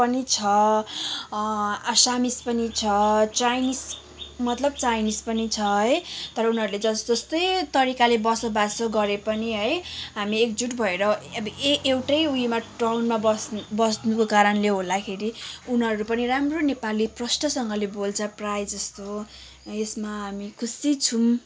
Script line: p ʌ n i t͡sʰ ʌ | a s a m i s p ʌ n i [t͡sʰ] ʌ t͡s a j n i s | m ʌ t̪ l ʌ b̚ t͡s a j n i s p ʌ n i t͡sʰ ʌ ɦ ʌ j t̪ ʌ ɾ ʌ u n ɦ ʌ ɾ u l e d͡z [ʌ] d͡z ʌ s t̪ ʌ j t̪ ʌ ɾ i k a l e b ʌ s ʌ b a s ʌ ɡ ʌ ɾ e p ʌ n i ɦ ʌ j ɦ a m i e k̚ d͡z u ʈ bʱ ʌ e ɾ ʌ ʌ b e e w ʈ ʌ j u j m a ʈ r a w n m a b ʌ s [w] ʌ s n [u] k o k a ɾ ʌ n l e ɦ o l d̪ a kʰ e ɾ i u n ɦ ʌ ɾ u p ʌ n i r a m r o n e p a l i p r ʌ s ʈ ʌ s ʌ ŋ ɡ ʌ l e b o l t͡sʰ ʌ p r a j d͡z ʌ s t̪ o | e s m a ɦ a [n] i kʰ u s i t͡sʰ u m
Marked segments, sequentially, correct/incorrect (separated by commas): correct, correct, incorrect, correct, incorrect